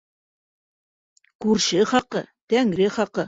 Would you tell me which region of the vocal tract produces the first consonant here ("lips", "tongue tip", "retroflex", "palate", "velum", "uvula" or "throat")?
velum